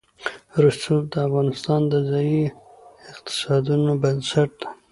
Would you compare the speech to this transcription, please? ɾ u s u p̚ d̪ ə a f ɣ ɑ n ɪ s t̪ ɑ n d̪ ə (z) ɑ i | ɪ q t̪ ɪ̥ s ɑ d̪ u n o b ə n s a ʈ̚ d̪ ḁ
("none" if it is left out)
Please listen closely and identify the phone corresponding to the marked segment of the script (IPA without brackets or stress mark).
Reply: z